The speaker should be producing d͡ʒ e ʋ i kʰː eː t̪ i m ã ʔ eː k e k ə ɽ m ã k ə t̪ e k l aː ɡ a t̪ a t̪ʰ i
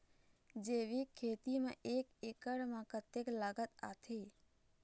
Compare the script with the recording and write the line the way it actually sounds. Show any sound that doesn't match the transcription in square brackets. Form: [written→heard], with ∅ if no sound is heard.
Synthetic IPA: d͡ʒ e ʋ i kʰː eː t̪ i m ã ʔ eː k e k ə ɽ m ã k ə t̪ e k l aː ɡ [a→ə] t̪ a t̪ʰ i